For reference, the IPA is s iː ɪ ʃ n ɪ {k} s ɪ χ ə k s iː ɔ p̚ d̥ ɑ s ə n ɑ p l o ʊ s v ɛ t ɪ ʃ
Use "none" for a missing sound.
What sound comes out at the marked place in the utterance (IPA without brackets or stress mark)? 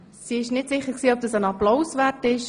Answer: t